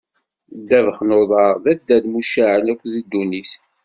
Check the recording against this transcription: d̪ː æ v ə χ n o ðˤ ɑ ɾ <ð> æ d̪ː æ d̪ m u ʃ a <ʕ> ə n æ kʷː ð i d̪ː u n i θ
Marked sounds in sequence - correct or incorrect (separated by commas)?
correct, correct